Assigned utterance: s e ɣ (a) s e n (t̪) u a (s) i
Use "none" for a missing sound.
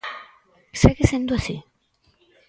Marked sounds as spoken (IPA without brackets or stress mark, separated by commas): e, d̪, s